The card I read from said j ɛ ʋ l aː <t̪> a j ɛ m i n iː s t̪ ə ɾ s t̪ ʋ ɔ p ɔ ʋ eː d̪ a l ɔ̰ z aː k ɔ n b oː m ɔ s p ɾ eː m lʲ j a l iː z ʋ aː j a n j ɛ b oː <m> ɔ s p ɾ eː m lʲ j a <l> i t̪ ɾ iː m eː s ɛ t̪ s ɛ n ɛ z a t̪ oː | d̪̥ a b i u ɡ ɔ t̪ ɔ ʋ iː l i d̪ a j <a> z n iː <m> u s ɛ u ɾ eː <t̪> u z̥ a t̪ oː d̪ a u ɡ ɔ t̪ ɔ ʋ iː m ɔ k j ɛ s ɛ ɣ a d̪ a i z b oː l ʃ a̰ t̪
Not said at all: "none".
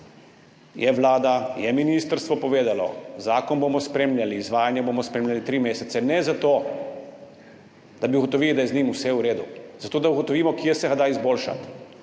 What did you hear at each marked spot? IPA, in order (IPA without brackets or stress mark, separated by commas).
d̪, m, l, ɛ, m, d̪